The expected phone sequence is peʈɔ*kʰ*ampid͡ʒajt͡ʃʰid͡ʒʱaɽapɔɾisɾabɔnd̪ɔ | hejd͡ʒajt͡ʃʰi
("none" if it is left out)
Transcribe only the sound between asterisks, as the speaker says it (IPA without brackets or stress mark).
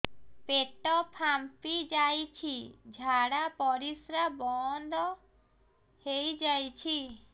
pʰ